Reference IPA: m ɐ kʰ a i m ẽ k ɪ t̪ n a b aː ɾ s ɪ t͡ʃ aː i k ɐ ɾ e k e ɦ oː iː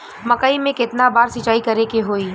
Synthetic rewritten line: m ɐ k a i m ẽ k ɪ t̪ n a b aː ɾ s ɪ t͡ʃ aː i k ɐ ɾ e k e ɦ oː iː